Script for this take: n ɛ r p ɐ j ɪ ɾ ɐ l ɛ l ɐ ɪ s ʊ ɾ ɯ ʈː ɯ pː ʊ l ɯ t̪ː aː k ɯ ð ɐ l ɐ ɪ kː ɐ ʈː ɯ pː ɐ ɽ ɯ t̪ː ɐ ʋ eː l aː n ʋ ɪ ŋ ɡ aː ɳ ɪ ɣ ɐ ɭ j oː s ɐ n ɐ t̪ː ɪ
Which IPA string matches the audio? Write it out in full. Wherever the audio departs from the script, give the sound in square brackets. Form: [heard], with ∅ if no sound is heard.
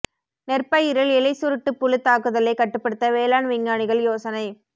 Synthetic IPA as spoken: n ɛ r p ɐ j ɪ ɾ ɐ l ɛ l ɐ ɪ s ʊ ɾ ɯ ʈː ɯ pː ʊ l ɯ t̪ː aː k ɯ ð ɐ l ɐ ɪ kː ɐ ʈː ɯ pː ɐ ɽ ɯ t̪ː ɐ ʋ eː l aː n ʋ ɪ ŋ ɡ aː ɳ ɪ ɣ ɐ ɭ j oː s ɐ n ɐ [∅] ɪ